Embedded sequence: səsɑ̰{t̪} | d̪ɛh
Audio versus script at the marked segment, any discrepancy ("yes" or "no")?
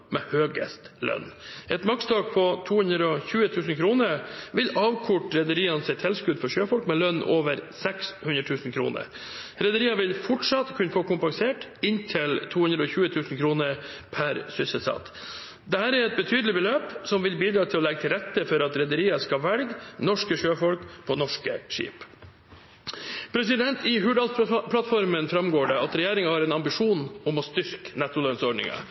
no